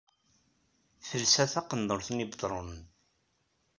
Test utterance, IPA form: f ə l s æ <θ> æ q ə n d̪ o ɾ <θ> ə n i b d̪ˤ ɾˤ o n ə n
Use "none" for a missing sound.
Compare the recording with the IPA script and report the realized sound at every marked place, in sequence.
θ, θ

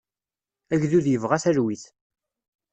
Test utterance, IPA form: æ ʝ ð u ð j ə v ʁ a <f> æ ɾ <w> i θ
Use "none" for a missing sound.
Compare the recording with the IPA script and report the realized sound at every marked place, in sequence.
θ, w

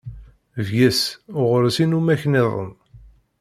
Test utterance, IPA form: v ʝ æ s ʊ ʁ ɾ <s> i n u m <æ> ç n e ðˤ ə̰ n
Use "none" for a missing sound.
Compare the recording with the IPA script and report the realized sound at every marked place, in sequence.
s, æ

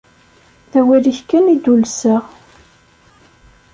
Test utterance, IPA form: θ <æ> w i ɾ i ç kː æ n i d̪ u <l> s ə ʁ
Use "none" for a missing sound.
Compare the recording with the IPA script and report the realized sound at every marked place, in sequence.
æ, l

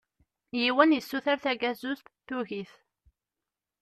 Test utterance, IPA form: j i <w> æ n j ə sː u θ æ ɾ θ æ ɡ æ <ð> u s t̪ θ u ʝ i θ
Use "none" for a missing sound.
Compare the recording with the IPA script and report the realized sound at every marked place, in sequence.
w, z

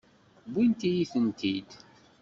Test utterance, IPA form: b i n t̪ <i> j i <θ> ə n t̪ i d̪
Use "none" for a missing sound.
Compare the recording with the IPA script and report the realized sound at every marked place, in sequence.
i, θ

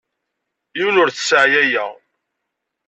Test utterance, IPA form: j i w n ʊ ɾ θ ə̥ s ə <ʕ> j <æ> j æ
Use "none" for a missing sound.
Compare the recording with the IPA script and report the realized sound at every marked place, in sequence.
ʕ, æ

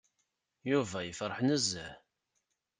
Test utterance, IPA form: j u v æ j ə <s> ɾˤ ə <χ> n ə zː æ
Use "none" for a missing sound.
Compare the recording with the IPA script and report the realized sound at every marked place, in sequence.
f, ħ

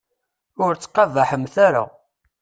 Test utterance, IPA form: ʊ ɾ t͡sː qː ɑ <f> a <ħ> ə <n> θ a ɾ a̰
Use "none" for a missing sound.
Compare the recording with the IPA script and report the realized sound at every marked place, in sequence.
v, ħ, m

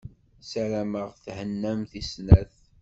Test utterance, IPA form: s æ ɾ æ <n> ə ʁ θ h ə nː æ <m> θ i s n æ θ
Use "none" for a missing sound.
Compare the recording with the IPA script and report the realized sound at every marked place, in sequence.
m, m

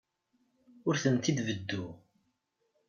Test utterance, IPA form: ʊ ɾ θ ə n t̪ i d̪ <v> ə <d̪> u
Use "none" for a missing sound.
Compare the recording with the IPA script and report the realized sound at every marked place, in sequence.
v, d̪ː

